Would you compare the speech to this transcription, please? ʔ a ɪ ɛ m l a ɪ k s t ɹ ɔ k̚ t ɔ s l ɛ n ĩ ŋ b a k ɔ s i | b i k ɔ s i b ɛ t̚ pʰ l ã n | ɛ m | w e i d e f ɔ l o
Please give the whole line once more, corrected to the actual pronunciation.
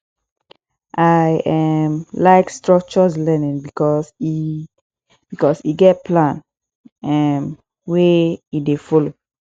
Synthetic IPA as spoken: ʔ a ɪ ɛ m l a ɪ k s t ɹ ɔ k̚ t͡ʃ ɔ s l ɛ n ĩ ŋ b i k ɔ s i | b i k ɔ s i ɡ ɛ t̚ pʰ l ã n | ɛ m | w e i d e f ɔ l o